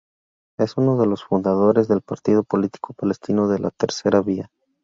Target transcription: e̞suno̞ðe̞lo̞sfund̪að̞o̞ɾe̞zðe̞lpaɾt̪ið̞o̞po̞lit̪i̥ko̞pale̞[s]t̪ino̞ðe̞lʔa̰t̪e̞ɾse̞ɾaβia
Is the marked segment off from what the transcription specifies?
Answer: no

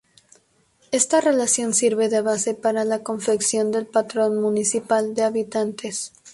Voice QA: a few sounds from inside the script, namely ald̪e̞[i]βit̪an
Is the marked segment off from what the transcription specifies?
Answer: yes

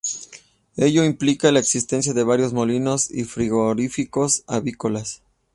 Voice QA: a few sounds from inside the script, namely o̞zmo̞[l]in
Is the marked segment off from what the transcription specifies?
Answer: no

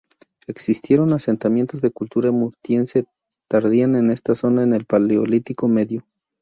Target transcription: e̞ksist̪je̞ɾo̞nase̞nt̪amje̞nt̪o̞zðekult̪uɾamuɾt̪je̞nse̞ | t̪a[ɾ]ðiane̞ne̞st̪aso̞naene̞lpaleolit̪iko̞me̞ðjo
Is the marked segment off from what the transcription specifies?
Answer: no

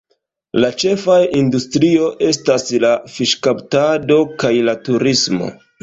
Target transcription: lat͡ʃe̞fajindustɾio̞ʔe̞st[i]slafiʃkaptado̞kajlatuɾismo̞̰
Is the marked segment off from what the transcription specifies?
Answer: yes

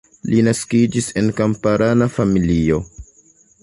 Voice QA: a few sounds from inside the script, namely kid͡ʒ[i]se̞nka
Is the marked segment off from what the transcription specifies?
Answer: no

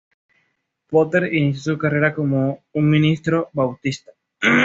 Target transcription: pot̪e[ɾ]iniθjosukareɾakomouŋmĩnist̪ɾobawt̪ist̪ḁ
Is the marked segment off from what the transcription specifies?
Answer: no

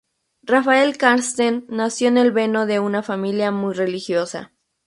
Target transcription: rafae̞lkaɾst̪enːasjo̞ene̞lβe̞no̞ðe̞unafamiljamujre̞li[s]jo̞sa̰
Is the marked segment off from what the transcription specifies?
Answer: yes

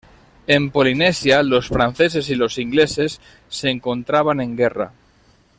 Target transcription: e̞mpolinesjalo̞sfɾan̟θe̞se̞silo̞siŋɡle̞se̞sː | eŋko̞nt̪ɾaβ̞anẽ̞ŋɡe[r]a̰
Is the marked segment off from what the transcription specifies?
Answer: no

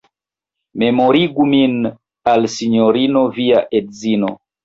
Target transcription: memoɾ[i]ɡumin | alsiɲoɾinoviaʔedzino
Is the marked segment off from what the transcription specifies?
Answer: no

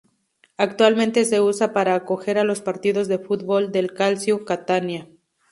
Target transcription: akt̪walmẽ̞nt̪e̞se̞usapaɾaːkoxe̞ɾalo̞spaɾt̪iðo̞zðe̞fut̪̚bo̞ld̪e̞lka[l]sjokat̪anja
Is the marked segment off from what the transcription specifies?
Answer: no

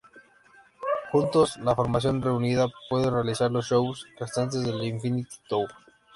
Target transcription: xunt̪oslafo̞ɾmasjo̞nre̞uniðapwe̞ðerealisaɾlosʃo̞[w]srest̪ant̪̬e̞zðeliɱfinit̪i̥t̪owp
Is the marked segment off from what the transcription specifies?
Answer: no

